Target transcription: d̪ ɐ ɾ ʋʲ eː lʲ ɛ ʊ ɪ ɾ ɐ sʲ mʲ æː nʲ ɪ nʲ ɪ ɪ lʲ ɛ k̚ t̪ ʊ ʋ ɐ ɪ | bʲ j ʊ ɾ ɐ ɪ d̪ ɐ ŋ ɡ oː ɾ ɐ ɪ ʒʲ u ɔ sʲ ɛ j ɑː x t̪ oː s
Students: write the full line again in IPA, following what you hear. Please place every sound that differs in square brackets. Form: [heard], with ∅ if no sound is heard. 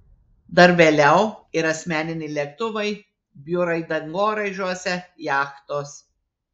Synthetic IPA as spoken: d̪ ɐ ɾ ʋʲ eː lʲ ɛ ʊ ɪ ɾ ɐ sʲ mʲ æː nʲ ɪ nʲ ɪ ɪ lʲ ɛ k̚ t̪ ʊ ʋ ɐ ɪ | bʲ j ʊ ɾ ɐ ɪ d̪ ɐ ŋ ɡ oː ɾ ɐ ɪ ʒʲ u ɔ sʲ ɛ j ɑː x t̪ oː s